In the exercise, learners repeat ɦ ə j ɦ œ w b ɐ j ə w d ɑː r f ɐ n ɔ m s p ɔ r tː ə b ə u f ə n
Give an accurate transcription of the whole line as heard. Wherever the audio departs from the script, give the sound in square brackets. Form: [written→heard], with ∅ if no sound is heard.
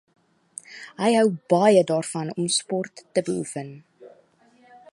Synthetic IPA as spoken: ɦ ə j ɦ œ w b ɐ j ə [w→∅] d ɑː r f ɐ n ɔ m s p ɔ r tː ə b ə u f ə n